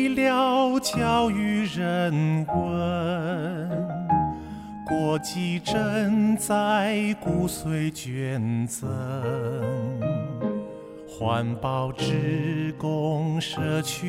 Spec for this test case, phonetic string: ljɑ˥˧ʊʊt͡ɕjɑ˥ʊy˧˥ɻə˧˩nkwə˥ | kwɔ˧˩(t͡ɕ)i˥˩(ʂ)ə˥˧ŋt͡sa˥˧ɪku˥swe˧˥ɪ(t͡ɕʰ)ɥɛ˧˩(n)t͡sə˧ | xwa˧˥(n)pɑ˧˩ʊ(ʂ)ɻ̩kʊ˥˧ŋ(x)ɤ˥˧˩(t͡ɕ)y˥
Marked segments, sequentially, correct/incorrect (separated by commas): correct, incorrect, incorrect, correct, correct, incorrect, incorrect, incorrect